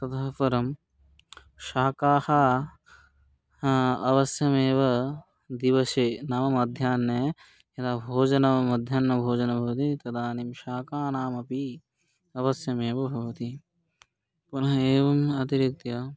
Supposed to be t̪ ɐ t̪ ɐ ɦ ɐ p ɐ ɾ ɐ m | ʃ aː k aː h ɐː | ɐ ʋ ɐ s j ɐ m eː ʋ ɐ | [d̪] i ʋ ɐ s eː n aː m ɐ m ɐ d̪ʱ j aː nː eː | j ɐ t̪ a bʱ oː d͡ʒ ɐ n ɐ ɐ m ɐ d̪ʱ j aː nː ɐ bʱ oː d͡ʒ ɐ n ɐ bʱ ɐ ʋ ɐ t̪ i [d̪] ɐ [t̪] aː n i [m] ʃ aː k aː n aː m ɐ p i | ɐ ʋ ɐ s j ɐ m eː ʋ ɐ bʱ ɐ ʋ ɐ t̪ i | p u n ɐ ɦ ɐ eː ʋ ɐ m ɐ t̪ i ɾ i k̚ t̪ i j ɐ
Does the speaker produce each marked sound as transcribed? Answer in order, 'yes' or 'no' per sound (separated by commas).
yes, no, no, yes